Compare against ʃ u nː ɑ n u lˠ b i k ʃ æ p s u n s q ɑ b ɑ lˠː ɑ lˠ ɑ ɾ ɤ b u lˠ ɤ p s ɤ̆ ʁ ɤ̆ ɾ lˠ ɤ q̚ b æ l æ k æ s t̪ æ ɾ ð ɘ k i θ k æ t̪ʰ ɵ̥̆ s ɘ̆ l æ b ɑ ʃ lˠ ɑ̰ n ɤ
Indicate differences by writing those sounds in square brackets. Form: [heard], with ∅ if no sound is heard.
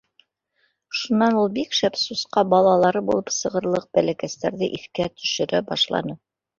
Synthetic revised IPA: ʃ u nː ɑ n u lˠ b i k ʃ æ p s u [∅] s q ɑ b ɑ [lˠ] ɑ lˠ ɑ ɾ ɤ b u lˠ ɤ p s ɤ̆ ʁ ɤ̆ ɾ lˠ ɤ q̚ b æ l æ k æ s t̪ æ ɾ ð ɘ [ʔ] i θ k æ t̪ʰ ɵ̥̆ [ʃ] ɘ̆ [ɾ] æ b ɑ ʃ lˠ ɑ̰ n ɤ